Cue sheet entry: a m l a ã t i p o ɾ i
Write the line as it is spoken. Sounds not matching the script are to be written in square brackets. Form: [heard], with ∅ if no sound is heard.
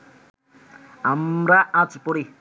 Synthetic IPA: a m [ɾ] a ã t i p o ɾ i

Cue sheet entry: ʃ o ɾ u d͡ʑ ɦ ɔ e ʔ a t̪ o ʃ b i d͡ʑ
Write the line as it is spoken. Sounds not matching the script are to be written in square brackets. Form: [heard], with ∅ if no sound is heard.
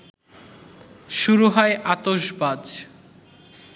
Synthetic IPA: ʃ [u] ɾ u [∅] ɦ ɔ e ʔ a t̪ o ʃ b [a] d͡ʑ

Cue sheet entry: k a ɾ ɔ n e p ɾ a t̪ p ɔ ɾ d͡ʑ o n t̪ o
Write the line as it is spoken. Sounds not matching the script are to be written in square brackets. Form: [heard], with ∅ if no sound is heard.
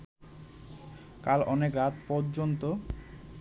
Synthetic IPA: k a [l] ɔ n e [k] ɾ a t̪ p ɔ ɾ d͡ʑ o n t̪ o

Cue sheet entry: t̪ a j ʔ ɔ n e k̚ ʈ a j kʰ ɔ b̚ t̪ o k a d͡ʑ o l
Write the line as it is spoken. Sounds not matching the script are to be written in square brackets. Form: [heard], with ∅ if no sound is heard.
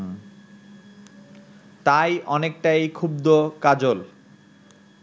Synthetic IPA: t̪ a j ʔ ɔ n e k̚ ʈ a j kʰ [u] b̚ [d̪] o k a d͡ʑ o l

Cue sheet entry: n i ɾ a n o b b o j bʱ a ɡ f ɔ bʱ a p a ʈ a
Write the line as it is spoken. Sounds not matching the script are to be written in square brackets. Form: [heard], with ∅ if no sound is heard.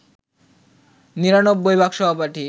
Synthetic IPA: n i ɾ a n o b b o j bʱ a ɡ [ʃ] ɔ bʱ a p a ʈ [i]

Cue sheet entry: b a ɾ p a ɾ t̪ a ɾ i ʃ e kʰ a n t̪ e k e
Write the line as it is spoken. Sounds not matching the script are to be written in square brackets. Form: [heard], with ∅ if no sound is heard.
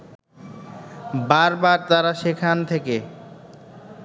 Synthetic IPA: b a ɾ [b] a ɾ t̪ a ɾ [a] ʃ e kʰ a n [t̪ʰ] e k e

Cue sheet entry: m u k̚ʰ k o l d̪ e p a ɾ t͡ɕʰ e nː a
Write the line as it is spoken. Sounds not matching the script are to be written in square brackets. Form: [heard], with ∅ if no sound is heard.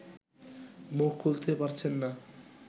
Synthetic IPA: m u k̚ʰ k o l [t̪] e p a ɾ t͡ɕʰ e nː a

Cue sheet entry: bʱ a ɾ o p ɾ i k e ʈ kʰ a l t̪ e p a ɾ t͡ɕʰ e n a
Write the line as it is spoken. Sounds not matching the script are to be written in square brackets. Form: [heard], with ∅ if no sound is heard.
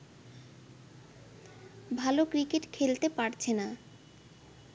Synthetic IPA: bʱ a [l] o [k] ɾ i k e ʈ kʰ [e] l t̪ e p a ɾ t͡ɕʰ e n a

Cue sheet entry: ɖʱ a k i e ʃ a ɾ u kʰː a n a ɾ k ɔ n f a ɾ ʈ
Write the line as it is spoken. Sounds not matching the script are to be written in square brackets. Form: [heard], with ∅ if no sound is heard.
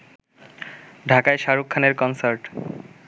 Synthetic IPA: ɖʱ a k [a] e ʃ a ɾ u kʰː a n [e] ɾ k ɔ n [s] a ɾ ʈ

